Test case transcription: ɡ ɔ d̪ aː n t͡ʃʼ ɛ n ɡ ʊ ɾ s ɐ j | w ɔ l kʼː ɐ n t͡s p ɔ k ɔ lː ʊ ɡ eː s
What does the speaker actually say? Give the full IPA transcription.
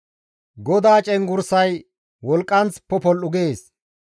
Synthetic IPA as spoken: ɡ ɔ d̪ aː t͡ʃʼ ɛ ŋ ɡ ʊ ɾ s ɐ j | w ɔ l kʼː ɐ n t͡s p ɔ p ɔ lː ʊ ɡ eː s

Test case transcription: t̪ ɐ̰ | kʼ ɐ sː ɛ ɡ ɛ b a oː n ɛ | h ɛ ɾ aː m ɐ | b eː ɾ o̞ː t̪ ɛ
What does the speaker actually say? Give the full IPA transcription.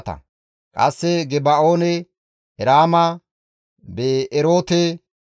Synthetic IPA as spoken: t̪ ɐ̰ | kʼ ɐ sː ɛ ɡ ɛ b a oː n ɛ | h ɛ ɾ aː m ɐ | b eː ɾ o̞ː t̪ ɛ

